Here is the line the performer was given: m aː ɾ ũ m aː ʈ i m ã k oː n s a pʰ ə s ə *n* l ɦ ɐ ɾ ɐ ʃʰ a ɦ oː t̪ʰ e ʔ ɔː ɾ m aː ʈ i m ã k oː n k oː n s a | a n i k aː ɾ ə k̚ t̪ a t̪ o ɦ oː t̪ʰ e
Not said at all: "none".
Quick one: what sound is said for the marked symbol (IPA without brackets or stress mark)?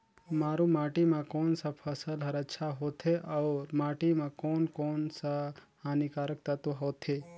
none